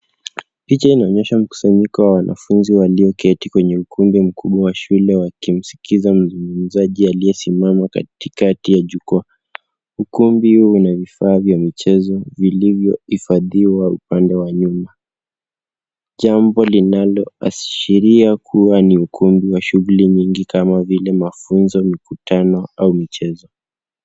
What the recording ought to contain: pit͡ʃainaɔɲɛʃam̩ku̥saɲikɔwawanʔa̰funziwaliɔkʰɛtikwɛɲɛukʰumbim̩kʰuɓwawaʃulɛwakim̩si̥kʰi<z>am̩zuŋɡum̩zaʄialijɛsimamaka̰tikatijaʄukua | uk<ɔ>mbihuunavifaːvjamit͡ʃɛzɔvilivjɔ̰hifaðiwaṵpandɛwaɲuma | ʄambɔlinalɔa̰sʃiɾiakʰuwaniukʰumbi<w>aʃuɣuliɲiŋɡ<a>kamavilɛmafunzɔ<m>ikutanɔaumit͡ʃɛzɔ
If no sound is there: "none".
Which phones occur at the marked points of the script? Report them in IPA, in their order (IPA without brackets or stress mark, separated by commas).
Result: z, u, w, i, m